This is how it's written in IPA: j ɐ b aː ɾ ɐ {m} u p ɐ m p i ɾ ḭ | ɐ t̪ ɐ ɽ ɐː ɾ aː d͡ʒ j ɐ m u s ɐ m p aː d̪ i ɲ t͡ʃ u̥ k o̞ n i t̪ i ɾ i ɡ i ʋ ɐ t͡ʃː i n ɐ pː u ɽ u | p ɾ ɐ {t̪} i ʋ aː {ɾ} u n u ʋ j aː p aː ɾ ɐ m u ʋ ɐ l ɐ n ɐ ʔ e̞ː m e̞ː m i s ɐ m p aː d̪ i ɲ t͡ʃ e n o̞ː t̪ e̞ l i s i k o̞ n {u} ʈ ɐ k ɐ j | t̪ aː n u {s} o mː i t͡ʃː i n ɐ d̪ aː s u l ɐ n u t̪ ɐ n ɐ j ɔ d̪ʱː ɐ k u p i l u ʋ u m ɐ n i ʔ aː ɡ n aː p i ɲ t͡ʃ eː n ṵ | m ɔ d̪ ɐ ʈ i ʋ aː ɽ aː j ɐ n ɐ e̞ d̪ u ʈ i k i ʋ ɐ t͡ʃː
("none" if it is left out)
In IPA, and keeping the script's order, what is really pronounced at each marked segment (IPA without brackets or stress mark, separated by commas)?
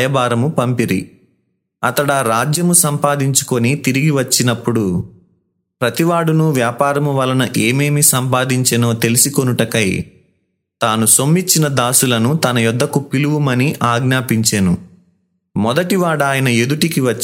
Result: m, t̪, ɽ, u, s